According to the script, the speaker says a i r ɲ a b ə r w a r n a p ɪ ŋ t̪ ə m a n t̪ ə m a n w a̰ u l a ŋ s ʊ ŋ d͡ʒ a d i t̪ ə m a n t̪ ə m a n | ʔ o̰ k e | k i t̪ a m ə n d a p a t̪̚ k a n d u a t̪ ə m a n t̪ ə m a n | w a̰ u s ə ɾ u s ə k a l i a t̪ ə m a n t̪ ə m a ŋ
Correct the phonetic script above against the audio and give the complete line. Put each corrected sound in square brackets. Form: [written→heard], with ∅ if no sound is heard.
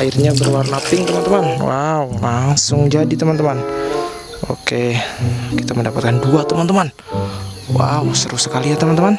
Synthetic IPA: a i r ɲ a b ə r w a r n a p ɪ ŋ t̪ ə m a n t̪ ə m a n w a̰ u l a ŋ s ʊ ŋ d͡ʒ a d i t̪ ə m a n t̪ ə m a n | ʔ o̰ k e | k i t̪ a m ə n d a p a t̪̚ k a n d u a t̪ ə m a n t̪ ə m a n | w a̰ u s ə ɾ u s ə k a l i a t̪ ə m a n t̪ ə m a [ŋ→n]